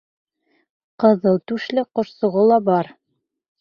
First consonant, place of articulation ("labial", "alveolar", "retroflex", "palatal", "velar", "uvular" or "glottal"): uvular